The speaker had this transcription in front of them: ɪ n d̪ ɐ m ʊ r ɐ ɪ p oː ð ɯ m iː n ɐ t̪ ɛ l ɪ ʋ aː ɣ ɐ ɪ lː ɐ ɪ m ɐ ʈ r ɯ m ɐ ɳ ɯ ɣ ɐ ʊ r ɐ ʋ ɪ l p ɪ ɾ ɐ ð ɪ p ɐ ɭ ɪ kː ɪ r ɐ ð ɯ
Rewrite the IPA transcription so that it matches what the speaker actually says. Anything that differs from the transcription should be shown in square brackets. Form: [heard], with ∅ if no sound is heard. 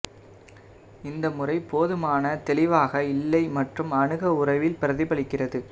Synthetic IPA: ɪ n d̪ ɐ m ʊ r ɐ ɪ p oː ð ɯ m [aː] n ɐ t̪ ɛ l ɪ ʋ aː ɣ ɐ ɪ lː ɐ ɪ m ɐ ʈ r ɯ m ɐ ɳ ɯ ɣ ɐ ʊ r ɐ ʋ ɪ l p ɪ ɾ ɐ ð ɪ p ɐ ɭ ɪ kː ɪ r ɐ ð ɯ